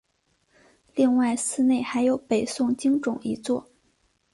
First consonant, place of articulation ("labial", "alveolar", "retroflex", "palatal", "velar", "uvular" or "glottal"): alveolar